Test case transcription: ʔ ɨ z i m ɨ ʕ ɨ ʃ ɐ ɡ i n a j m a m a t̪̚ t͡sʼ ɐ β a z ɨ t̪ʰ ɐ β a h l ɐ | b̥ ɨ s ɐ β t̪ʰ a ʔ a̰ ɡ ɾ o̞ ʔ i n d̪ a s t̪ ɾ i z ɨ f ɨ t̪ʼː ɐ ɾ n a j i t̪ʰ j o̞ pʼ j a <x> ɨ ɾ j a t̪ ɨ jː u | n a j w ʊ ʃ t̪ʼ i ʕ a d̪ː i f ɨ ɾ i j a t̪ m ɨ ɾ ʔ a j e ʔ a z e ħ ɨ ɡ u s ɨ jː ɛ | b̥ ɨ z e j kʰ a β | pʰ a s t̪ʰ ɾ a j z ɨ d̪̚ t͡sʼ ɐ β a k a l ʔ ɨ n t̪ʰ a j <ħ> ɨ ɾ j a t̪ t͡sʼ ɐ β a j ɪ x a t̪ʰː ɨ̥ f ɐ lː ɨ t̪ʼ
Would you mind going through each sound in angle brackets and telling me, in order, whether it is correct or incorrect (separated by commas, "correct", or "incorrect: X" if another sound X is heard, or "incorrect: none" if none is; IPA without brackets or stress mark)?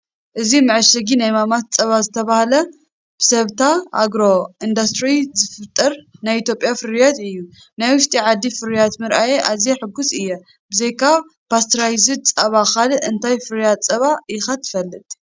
incorrect: f, incorrect: f